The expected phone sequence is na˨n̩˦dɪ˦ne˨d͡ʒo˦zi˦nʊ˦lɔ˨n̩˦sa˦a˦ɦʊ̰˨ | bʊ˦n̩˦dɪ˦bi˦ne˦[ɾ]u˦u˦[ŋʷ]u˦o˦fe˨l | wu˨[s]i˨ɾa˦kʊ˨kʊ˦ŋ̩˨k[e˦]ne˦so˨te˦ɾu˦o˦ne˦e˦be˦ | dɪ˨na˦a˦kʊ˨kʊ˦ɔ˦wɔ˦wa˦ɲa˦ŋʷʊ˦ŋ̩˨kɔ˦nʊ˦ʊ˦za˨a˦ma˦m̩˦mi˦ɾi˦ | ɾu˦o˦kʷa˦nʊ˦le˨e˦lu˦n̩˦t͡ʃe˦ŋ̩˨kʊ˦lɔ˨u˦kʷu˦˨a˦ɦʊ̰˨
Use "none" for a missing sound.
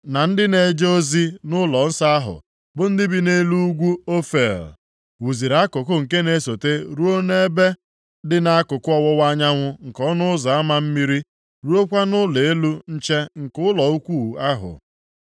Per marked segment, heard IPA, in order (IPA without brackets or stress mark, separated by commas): l, ɡʷ, z, e˦